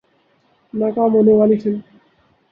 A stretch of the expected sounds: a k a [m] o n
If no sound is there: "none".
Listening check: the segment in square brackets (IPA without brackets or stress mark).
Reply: m